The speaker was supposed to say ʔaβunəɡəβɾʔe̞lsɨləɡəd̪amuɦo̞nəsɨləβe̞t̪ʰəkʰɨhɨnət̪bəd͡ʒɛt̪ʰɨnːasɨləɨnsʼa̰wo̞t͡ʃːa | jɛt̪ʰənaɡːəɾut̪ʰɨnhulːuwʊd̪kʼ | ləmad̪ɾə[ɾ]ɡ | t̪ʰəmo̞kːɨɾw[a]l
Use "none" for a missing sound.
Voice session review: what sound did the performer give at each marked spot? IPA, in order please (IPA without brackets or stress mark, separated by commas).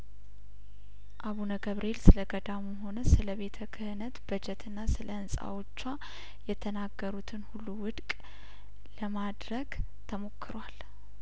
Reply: none, a